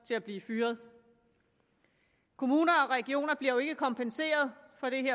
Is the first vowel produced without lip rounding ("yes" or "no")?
yes